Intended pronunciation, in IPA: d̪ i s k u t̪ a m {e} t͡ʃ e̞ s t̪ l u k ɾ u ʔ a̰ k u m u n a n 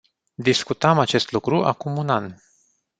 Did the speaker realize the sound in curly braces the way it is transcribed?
no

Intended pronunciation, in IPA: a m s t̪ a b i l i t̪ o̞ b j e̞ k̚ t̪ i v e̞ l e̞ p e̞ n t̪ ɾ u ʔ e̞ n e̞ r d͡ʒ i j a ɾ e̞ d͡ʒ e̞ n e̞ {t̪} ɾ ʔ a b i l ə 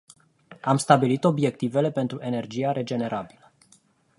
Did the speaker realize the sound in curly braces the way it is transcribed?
no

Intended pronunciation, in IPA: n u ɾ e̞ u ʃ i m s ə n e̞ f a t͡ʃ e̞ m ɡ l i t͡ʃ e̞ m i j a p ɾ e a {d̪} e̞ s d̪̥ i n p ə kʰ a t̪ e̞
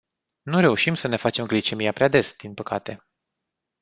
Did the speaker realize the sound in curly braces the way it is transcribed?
yes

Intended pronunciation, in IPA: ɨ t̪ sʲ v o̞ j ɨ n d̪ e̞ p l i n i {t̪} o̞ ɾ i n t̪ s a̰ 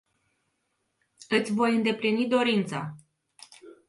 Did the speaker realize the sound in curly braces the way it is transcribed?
no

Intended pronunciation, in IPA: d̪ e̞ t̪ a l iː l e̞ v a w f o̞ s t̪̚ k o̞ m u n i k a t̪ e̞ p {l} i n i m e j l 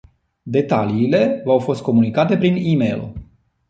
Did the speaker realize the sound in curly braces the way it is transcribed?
no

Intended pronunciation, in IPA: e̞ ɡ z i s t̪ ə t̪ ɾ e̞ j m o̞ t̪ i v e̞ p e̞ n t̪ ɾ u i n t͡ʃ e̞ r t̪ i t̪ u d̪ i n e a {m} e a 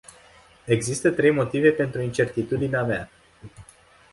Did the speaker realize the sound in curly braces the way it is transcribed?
yes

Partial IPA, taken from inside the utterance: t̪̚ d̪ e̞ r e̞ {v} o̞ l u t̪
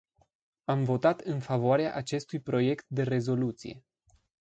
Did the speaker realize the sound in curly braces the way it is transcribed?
no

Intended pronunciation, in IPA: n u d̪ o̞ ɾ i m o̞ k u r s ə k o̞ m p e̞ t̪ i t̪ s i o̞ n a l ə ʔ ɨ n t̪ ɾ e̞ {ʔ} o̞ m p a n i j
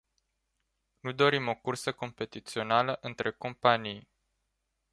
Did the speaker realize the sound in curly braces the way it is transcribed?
no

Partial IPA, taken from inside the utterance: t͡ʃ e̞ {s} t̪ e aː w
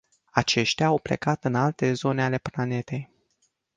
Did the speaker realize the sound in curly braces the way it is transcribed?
no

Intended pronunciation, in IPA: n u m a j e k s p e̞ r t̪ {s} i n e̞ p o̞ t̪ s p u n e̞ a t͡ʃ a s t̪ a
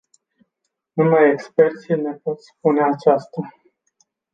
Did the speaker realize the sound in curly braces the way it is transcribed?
yes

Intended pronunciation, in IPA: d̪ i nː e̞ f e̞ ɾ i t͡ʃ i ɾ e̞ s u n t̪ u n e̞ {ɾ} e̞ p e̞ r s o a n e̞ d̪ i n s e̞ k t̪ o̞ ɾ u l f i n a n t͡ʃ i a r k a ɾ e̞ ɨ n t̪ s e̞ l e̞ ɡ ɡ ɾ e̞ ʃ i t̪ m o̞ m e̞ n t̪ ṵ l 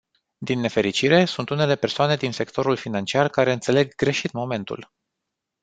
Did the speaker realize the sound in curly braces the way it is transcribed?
no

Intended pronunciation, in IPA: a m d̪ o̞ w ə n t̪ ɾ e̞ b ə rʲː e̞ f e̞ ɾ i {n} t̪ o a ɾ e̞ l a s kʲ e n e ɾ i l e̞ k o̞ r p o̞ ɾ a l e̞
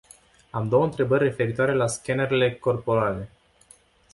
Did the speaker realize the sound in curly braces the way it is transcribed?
no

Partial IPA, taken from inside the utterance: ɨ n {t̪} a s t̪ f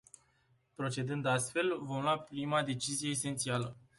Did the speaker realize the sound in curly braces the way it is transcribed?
no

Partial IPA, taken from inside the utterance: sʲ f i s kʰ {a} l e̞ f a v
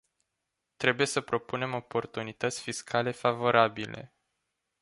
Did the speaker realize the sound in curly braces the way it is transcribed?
yes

